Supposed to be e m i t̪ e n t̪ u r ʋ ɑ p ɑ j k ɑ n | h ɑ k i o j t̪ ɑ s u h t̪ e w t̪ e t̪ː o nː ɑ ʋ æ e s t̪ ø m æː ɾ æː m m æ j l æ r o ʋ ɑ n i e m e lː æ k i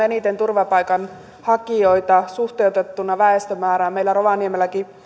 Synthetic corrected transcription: e n i t̪ e n t̪ u r ʋ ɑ p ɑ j k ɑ n | h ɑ k i o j t̪ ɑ s u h t̪ e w t̪ e t̪ː u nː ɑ ʋ æ e s t̪ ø m æː ɾ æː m m e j l æ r o ʋ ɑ n i e m e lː æ k i